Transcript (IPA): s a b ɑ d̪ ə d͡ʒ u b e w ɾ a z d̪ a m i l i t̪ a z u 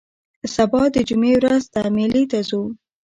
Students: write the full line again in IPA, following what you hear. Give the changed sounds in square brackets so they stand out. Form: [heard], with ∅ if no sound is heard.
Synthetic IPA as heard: s a b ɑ d̪ ə d͡ʒ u [m] e w ɾ a z d̪ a m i l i t̪ a z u